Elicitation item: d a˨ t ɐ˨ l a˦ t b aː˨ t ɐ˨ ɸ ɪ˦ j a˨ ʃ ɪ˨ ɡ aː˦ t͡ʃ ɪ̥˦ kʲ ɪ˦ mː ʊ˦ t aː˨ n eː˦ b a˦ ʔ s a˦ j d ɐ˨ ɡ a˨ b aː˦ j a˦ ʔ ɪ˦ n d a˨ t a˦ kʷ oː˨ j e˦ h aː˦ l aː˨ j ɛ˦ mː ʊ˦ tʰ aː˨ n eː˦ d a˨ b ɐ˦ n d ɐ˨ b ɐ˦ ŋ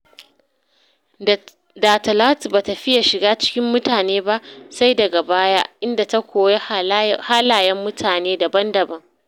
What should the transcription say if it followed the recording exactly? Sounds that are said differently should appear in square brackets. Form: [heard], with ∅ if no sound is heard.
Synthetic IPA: d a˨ t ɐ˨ l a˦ t b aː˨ t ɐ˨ ɸ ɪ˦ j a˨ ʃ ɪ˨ ɡ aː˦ t͡ʃ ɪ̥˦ kʲ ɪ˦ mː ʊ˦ t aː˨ n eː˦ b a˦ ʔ s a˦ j d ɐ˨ ɡ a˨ b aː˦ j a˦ ʔ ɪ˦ n d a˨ t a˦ kʷ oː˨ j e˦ h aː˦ l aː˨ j ɛ˦ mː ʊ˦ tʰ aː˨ n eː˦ d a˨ b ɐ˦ n d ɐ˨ b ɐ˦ ŋ